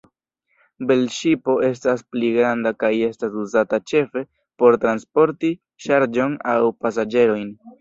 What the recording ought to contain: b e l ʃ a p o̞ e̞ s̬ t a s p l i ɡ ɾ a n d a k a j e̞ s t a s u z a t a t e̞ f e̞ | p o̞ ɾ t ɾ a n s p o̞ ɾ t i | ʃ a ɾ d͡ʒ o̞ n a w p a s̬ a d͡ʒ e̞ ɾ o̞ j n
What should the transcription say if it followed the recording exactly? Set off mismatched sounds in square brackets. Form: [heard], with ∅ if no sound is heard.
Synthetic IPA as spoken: b e l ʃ [i] p o̞ e̞ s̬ t a s p l i ɡ ɾ a n d a k a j e̞ s t a s u z a t a [t͡ʃ] e̞ f e̞ | p o̞ ɾ t ɾ a n s p o̞ ɾ t i | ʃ a ɾ d͡ʒ o̞ n a w p a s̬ a d͡ʒ e̞ ɾ o̞ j n